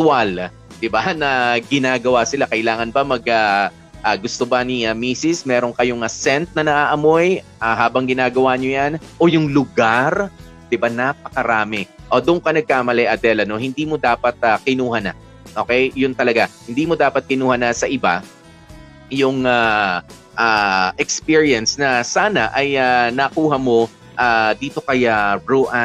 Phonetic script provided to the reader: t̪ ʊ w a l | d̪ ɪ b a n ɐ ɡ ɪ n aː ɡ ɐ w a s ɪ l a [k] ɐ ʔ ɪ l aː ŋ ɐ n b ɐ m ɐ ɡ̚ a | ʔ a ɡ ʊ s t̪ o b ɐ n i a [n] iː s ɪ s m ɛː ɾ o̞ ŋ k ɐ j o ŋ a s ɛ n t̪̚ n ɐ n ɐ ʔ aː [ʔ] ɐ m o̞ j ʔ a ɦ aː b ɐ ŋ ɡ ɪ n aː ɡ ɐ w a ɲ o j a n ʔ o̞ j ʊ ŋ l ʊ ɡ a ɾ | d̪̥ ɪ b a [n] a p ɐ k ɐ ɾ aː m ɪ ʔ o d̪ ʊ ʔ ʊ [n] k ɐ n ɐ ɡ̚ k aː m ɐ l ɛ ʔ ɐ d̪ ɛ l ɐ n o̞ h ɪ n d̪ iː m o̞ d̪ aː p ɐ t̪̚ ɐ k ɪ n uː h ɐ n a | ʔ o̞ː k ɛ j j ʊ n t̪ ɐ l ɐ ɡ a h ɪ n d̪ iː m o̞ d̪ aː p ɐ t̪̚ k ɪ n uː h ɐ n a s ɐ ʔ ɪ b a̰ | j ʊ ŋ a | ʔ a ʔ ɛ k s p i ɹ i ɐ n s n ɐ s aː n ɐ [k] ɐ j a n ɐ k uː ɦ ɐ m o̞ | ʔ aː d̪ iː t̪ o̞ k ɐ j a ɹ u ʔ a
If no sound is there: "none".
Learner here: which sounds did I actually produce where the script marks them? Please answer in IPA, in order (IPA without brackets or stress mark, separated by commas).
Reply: k, m, ʔ, n, ŋ, ʔ